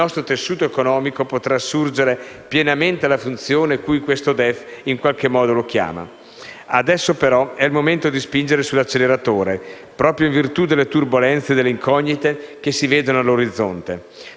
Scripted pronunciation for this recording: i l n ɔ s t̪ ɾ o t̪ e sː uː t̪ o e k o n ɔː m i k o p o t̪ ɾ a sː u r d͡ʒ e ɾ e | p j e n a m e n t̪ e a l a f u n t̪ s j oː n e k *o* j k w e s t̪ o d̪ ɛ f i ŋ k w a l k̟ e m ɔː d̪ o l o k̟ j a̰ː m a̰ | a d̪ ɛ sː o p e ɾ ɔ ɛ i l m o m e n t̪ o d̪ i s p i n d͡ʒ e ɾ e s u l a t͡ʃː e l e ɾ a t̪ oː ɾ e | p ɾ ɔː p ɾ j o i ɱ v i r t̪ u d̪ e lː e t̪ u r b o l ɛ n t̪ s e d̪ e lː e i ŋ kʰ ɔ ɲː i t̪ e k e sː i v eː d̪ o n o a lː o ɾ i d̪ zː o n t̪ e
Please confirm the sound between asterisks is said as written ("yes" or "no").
no